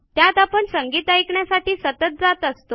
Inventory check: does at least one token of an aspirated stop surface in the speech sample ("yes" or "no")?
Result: no